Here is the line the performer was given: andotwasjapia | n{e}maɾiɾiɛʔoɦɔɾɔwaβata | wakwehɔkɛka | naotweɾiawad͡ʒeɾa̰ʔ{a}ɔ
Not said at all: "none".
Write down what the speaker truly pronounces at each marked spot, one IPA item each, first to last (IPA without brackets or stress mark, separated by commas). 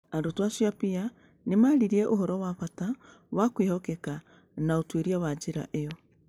e, e